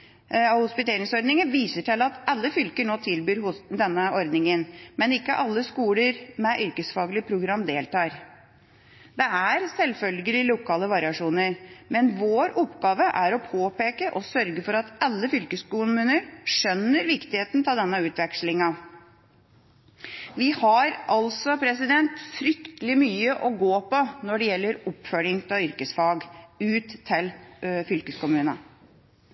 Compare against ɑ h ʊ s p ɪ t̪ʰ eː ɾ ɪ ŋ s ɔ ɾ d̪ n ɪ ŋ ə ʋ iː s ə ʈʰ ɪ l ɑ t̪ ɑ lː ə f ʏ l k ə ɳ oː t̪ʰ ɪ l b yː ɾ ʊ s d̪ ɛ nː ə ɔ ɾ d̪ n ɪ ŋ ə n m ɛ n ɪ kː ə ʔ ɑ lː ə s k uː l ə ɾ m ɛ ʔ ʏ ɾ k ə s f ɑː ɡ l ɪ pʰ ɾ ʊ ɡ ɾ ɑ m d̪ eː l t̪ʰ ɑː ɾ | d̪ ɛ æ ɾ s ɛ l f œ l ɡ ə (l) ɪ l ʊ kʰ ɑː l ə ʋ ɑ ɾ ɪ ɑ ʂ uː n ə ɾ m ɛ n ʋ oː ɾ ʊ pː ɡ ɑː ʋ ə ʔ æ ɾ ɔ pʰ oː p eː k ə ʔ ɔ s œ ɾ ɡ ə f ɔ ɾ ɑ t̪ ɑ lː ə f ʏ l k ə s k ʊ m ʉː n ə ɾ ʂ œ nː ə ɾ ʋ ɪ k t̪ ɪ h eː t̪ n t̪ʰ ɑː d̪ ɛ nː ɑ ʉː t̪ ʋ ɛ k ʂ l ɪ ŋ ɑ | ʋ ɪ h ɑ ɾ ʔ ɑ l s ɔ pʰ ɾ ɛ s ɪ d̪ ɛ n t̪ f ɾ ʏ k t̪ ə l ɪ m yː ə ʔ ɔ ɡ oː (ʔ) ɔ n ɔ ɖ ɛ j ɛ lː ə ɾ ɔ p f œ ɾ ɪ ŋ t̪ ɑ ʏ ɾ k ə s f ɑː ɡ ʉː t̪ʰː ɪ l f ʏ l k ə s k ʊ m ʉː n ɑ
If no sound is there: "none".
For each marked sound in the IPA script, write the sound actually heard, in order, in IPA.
l, p

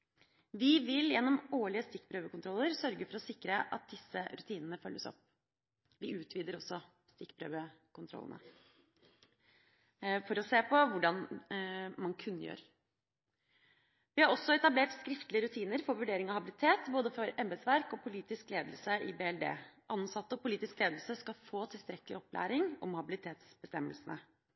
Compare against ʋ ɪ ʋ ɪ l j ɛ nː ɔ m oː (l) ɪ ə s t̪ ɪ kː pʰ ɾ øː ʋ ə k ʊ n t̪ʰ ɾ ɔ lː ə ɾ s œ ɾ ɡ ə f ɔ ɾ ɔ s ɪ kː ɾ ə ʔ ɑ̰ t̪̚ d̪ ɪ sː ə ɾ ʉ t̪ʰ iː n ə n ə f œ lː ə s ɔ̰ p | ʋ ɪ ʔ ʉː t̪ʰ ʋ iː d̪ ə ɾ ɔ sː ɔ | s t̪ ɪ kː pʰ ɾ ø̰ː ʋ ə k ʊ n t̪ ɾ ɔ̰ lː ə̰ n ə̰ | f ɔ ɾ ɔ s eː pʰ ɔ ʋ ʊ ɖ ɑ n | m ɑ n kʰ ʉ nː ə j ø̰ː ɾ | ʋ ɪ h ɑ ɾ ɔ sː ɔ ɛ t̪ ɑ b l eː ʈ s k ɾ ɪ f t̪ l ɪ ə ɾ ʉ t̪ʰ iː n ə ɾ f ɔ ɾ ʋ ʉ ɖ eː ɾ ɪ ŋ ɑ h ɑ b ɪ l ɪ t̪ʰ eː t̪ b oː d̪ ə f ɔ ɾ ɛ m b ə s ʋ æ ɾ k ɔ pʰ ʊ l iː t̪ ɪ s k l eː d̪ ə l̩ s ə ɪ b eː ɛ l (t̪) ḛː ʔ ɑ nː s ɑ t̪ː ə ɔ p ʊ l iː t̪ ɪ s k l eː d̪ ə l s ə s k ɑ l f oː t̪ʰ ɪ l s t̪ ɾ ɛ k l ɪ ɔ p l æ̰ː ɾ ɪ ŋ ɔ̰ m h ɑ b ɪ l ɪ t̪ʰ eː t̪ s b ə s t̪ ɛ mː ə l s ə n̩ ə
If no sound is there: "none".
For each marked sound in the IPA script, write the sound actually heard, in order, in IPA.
ɭ, d̪

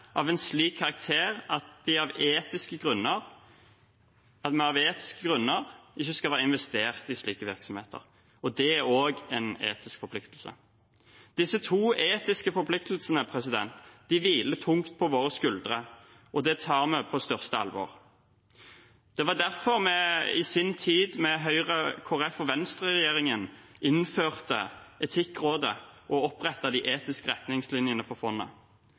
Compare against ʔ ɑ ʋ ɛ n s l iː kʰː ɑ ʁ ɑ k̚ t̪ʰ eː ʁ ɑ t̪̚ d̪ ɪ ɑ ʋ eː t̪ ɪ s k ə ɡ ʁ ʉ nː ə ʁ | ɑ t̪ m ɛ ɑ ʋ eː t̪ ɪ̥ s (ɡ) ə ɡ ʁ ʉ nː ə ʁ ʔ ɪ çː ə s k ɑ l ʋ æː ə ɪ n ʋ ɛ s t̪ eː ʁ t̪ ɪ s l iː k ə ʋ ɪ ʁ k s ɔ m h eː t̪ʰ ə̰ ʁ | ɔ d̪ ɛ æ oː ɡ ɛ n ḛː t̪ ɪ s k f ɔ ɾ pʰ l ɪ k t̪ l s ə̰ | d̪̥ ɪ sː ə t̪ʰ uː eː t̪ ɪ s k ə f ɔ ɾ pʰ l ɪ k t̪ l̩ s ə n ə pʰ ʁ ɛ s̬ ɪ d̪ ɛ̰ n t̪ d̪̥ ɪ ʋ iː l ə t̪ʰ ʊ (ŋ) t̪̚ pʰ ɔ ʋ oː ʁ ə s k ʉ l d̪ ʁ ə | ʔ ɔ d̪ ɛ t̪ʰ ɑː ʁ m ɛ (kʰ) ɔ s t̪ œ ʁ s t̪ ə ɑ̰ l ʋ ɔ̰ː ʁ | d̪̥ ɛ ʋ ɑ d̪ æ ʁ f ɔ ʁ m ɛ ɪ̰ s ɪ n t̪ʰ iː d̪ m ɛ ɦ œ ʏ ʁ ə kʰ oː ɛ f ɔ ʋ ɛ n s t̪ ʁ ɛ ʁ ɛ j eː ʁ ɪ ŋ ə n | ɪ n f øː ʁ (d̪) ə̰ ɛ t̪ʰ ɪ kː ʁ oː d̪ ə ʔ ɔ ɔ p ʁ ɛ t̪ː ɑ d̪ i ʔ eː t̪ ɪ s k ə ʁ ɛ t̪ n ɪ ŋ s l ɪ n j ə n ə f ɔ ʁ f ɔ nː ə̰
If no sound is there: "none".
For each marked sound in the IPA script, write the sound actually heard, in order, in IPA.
k, ŋ, pʰ, t̪

